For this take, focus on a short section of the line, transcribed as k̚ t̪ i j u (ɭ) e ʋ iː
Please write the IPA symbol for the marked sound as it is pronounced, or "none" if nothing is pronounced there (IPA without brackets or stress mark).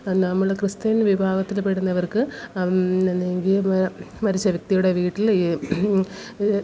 ɽ